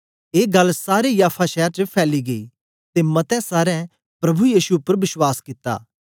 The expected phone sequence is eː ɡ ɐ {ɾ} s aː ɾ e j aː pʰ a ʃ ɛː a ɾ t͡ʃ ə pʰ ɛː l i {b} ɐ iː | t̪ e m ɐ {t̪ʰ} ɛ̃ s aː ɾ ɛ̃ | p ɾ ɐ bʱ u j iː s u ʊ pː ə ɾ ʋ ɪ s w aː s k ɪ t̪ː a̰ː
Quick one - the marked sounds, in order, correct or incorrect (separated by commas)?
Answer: incorrect, incorrect, incorrect